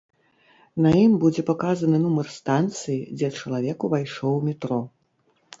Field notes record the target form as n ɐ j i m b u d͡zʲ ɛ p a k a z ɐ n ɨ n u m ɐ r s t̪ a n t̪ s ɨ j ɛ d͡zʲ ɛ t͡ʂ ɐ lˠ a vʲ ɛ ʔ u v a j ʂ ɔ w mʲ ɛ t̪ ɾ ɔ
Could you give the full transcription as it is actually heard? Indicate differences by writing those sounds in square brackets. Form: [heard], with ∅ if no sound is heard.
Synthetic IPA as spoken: n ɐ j i m b u d͡zʲ ɛ p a k a z ɐ n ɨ n u m ɐ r s t̪ a n t̪ s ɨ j [i] d͡zʲ ɛ t͡ʂ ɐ lˠ a vʲ ɛ [k] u v a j ʂ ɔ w mʲ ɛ t̪ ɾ ɔ

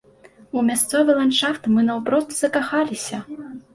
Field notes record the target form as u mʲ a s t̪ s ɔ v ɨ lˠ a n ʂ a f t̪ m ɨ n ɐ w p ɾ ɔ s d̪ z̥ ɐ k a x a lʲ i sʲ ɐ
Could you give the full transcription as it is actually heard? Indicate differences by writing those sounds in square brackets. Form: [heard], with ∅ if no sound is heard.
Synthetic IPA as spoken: u mʲ a s t̪ s ɔ v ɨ lˠ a n ʂ a f t̪ m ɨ n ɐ w p ɾ ɔ s [t̪] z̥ ɐ k a x a lʲ i sʲ ɐ

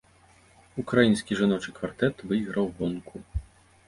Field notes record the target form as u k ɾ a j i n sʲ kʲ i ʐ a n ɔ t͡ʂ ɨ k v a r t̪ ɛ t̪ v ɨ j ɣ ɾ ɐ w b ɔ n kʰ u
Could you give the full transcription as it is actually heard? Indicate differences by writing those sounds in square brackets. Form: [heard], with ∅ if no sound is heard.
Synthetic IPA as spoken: u k ɾ a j i n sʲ kʲ i ʐ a n ɔ t͡ʂ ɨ k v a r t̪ ɛ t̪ v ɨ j ɣ ɾ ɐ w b ɔ n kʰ u

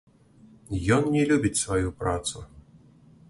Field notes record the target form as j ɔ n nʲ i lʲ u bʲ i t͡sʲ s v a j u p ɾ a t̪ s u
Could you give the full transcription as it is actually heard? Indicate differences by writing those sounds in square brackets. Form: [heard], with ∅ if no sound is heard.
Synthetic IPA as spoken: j ɔ n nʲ [ɛ] lʲ u bʲ i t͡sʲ s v a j u p ɾ a t̪ s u

